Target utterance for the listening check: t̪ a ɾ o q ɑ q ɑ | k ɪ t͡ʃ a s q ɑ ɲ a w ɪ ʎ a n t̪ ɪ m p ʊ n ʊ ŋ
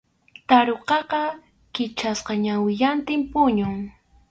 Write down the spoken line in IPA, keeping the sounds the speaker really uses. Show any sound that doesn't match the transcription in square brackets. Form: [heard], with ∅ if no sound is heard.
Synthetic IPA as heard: t̪ a ɾ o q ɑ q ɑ | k ɪ t͡ʃ a s q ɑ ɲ a w ɪ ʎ a n t̪ ɪ m p ʊ [ɲ] ʊ ŋ